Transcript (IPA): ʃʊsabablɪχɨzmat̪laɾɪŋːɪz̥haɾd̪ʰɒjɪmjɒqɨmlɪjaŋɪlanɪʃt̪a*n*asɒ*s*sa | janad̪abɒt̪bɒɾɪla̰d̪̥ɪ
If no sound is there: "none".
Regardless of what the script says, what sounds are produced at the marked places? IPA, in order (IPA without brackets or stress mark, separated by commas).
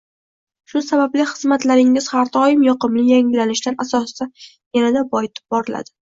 n, s